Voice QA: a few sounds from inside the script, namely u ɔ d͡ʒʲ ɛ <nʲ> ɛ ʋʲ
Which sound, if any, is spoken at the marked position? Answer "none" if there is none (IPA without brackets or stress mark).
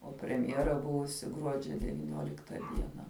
dʲ